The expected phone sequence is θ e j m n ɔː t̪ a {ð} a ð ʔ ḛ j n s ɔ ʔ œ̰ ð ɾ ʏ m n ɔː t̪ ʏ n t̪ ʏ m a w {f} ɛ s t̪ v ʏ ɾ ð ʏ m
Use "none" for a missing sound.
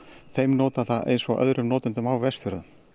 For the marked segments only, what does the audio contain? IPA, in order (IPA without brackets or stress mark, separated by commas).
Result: θ, v